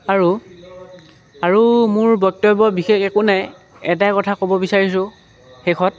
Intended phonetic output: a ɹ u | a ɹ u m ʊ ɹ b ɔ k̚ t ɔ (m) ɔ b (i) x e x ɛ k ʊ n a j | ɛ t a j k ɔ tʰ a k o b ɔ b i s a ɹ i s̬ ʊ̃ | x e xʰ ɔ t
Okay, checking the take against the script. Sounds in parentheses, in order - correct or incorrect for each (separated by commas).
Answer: incorrect, correct